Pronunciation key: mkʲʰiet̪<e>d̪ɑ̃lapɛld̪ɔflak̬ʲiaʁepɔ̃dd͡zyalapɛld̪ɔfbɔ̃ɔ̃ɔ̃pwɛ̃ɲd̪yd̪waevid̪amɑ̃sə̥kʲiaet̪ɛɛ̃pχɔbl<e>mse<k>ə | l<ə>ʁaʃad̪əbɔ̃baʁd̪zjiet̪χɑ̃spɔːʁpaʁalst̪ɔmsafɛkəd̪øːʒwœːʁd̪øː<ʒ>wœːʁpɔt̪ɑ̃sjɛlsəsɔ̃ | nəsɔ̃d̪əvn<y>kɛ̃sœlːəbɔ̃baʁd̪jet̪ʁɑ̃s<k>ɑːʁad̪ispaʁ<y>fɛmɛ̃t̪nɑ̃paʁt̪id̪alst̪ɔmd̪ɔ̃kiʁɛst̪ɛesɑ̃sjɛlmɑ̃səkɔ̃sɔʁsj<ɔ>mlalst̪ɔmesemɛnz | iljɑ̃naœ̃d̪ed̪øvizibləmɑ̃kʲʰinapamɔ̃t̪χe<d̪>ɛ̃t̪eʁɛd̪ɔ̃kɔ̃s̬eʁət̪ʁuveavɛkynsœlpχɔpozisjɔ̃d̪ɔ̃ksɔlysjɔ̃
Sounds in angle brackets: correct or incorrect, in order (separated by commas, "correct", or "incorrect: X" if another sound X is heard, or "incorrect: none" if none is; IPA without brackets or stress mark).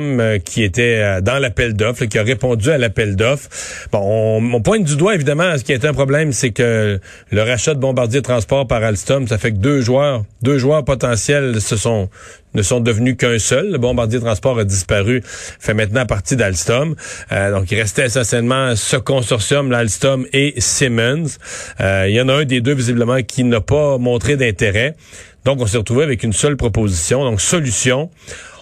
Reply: incorrect: ɛ, incorrect: ɛ, correct, correct, correct, correct, incorrect: p, correct, correct, correct